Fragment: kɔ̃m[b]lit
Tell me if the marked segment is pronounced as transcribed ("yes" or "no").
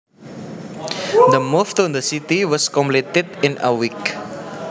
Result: no